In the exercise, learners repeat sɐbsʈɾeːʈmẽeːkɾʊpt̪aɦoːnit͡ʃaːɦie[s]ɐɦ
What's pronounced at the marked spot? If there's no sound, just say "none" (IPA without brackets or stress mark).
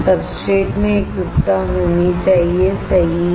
s